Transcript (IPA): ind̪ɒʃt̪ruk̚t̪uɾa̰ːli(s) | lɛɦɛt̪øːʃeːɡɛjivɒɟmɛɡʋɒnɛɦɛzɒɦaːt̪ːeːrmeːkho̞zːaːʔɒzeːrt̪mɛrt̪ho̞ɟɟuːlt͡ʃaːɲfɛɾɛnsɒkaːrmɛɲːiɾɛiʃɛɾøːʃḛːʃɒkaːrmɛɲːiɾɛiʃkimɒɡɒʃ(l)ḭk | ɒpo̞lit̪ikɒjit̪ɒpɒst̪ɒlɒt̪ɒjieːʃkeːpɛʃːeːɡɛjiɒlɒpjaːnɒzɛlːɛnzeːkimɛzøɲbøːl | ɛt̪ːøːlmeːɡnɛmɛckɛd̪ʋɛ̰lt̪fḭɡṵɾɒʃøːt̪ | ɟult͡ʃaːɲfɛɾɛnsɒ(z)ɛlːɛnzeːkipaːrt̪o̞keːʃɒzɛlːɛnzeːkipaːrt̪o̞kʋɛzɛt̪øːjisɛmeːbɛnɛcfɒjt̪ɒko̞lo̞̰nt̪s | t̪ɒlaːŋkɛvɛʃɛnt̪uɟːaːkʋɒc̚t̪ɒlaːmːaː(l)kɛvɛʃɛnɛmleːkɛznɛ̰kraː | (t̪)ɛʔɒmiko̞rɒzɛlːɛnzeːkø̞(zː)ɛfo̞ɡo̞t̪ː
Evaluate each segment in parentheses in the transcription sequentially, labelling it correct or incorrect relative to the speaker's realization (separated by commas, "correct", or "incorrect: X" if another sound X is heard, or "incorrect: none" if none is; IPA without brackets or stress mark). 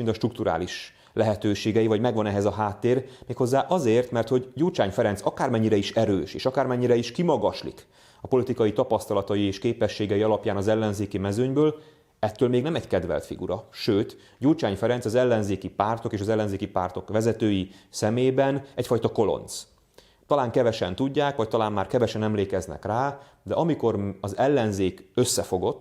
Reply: incorrect: ʃ, correct, correct, incorrect: r, incorrect: d̪, incorrect: sː